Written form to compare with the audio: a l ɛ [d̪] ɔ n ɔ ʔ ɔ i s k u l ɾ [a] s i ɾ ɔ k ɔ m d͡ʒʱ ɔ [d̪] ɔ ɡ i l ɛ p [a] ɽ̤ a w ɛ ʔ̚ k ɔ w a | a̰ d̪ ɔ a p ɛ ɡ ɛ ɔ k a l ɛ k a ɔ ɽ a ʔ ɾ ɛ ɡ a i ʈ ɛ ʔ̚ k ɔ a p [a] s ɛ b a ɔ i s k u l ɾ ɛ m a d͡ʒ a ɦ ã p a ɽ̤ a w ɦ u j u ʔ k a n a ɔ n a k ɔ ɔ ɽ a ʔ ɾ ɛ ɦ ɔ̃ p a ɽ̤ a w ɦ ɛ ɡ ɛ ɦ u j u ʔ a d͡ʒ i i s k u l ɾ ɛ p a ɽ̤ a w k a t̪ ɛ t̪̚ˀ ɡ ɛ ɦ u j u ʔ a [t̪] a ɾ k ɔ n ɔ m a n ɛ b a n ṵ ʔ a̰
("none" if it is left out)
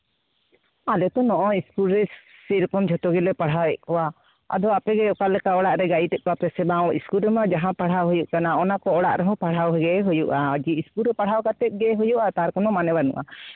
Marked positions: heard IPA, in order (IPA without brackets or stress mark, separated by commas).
t̪, ɛ, t̪, a, ɛ, t̪